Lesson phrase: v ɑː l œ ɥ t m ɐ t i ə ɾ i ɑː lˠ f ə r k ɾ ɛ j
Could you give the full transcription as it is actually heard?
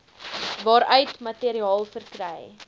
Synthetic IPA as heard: v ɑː ɾ œ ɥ t m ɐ t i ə ɾ i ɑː lˠ f ə r k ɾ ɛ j